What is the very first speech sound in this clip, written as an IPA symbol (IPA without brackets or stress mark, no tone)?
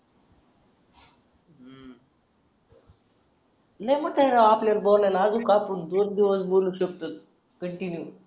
n